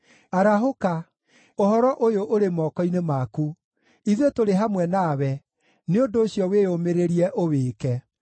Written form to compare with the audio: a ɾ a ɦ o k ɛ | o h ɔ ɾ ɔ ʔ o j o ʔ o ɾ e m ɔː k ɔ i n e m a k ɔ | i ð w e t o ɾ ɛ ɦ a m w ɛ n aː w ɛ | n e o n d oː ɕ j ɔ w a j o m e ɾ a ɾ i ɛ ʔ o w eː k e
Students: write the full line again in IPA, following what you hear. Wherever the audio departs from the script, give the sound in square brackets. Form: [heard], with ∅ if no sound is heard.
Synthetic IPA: a ɾ a ɦ o k [a] | o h ɔ ɾ ɔ ʔ o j o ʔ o ɾ e m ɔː k ɔ i n e m a k [u] | i ð w e t o ɾ [e] ɦ a m w ɛ n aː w ɛ | n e o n d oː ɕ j ɔ w [e] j o m e ɾ [e] ɾ i ɛ ʔ o w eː k [ɛ]